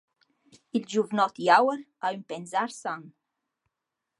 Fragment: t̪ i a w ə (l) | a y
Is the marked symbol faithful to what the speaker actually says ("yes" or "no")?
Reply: no